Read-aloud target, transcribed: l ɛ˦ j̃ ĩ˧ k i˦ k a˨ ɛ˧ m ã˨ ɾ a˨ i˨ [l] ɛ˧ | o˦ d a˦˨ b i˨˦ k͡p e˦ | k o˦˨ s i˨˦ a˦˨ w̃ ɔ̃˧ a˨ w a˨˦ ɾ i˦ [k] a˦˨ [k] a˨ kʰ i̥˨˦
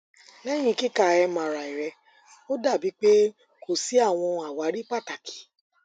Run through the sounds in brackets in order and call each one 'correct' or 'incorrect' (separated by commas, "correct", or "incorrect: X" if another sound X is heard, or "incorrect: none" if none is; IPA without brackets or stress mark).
incorrect: ɾ, incorrect: k͡p, incorrect: t